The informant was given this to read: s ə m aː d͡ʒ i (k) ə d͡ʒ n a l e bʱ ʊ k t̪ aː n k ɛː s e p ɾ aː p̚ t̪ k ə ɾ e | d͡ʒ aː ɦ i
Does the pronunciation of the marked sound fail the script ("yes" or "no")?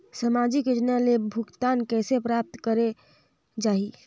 no